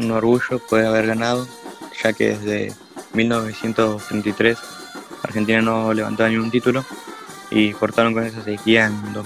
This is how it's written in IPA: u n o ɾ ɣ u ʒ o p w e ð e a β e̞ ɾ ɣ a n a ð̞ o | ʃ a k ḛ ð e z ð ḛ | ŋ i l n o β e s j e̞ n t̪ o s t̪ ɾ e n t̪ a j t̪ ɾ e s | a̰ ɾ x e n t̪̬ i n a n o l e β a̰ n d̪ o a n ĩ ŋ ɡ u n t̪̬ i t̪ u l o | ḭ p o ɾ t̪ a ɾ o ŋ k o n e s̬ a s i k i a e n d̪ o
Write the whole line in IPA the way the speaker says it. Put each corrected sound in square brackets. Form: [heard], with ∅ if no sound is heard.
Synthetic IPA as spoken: u n o ɾ ɣ u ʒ o p w e ð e a β e̞ ɾ ɣ a n a ð̞ o | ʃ a k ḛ ð e z ð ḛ | [m] i l n o β e s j e̞ n t̪ o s t̪ ɾ e n t̪ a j t̪ ɾ e s | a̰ ɾ x e n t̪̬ i n a n o l e β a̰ n [t̪] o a n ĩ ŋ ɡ u n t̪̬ i t̪ u l o | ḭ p o ɾ t̪ a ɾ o ŋ k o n e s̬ a s [e] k i a e n d̪ o